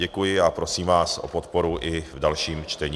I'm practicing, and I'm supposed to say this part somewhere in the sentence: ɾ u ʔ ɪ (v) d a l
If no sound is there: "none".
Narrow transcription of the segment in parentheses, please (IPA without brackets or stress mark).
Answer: v